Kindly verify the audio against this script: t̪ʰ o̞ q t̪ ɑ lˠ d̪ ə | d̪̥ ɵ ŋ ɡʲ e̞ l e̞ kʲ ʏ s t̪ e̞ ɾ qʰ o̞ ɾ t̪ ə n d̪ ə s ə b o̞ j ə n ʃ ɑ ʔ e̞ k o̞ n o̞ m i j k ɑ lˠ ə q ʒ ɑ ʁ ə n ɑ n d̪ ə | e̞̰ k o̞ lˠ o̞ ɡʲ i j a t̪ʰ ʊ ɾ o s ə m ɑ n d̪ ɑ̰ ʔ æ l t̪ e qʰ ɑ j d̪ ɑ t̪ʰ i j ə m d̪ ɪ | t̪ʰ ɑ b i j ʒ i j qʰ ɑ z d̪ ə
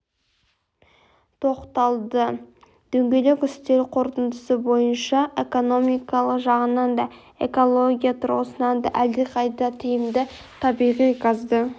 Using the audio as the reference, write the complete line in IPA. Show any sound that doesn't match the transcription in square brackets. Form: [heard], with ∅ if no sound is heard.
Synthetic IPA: t̪ʰ o̞ q t̪ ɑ lˠ d̪ ə | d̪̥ ɵ ŋ ɡʲ e̞ l e̞ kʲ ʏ s t̪ e̞ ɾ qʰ o̞ ɾ t̪ ə n d̪ ə s ə b o̞ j ə n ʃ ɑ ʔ e̞ k o̞ n o̞ m i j k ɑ lˠ ə q ʒ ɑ ʁ ə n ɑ n d̪ [ɑ] | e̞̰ k o̞ lˠ o̞ ɡʲ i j a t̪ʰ ʊ ɾ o s ə [n] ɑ n d̪ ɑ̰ ʔ æ l [d̪] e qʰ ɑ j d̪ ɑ t̪ʰ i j ə m d̪ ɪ | t̪ʰ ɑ b i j [ʁ] i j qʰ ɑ z d̪ ə

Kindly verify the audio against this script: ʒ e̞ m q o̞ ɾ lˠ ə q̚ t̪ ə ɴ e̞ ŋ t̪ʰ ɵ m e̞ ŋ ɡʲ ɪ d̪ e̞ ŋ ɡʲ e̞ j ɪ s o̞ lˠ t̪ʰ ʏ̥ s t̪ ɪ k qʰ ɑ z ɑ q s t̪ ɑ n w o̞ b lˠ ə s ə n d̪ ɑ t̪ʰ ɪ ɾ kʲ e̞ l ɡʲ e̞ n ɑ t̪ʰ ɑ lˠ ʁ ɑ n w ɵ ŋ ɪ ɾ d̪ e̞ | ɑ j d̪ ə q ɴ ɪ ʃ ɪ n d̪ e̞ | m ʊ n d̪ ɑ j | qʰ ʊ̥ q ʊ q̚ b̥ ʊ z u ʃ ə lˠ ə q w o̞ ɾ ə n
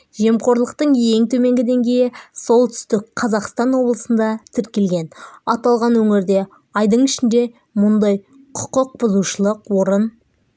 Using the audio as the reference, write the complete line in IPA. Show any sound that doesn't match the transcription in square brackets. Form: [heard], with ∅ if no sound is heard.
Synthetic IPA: ʒ e̞ m q o̞ ɾ lˠ ə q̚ t̪ ə ɴ e̞ ŋ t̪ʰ ɵ m e̞ ŋ ɡʲ ɪ d̪ e̞ ŋ ɡʲ e̞ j ɪ s o̞ lˠ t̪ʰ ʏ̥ s t̪ ɪ k qʰ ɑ z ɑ q s t̪ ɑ n w o̞ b lˠ ə s ə n d̪ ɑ t̪ʰ ɪ ɾ kʲ e̞ l ɡʲ e̞ n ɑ [t̪] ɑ lˠ ʁ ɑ n w ɵ ŋ ɪ ɾ d̪ e̞ | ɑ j d̪ ə [∅] ɴ ɪ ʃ ɪ n d̪ e̞ | m ʊ n d̪ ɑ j | qʰ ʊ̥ q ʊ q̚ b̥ ʊ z u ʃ ə lˠ ə q w o̞ ɾ ə n

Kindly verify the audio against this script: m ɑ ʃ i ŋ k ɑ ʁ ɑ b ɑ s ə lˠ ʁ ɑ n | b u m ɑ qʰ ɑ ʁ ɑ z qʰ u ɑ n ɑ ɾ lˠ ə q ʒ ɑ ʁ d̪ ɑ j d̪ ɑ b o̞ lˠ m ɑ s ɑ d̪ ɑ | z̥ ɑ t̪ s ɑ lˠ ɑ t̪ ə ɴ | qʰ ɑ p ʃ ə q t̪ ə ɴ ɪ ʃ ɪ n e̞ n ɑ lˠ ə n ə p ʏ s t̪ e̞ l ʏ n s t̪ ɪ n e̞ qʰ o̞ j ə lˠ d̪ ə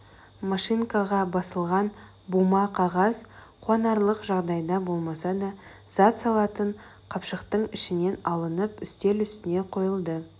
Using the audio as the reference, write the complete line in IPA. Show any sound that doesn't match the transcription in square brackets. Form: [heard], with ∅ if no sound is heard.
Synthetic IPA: m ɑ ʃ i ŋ k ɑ ʁ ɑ b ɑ s ə lˠ ʁ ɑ n | b u m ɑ qʰ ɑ ʁ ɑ z qʰ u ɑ n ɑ ɾ lˠ ə q ʒ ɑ ʁ d̪ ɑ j d̪ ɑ b o̞ lˠ m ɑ s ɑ d̪ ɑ | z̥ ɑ t̪ s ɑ lˠ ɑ t̪ ə ɴ | qʰ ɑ p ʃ ə q t̪ ə ɴ ɪ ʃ ɪ n e̞ n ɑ lˠ ə n ə p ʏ s t̪ e̞ l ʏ [∅] s t̪ ɪ n e̞ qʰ o̞ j ə lˠ d̪ ə

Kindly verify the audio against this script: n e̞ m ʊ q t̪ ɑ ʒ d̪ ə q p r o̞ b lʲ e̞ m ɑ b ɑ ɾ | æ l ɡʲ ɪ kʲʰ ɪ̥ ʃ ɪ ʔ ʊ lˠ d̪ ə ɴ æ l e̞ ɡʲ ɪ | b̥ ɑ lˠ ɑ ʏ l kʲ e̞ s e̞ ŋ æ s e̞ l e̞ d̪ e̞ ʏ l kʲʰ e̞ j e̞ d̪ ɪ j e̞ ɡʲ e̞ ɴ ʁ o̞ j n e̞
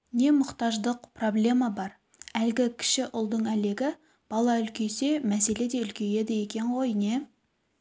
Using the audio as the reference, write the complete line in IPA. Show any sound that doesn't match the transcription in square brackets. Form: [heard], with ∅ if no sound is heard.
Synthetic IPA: n e̞ m ʊ q t̪ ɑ ʒ d̪ ə q p r o̞ b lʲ e̞ m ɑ b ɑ ɾ | æ l ɡʲ ɪ kʲʰ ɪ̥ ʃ ɪ ʔ ʊ lˠ d̪ ə ɴ æ l e̞ ɡʲ ɪ | b̥ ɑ lˠ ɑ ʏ l kʲ e̞ s e̞ [m] æ s e̞ l e̞ d̪ e̞ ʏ l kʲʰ e̞ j e̞ d̪ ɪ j e̞ [kʲ] e̞ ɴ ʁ o̞ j n e̞

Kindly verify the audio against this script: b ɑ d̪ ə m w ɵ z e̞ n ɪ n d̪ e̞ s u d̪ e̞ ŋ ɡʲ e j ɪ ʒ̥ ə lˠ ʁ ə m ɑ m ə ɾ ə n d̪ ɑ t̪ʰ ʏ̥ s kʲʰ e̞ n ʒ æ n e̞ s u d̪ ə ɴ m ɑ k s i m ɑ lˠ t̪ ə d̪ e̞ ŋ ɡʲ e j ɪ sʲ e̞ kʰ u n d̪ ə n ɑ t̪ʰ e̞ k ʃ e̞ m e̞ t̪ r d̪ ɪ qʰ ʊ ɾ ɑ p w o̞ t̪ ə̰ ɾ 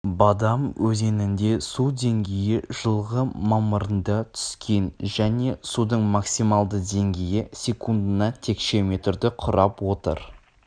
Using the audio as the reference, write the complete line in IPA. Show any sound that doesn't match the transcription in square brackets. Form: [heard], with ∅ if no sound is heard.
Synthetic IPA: b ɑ d̪ [ɑ] m w ɵ z e̞ n ɪ n d̪ e̞ s u d̪ e̞ ŋ ɡʲ e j ɪ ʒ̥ ə lˠ ʁ ə m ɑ m ə ɾ ə n d̪ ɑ t̪ʰ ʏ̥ s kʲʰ e̞ n ʒ æ n e̞ s u d̪ ə ɴ m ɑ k s i m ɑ lˠ [d̪] ə d̪ e̞ ŋ ɡʲ e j ɪ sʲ e̞ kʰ u n d̪ ə n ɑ t̪ʰ e̞ k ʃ e̞ m e̞ t̪ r d̪ ɪ qʰ ʊ ɾ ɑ p w o̞ t̪ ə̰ ɾ

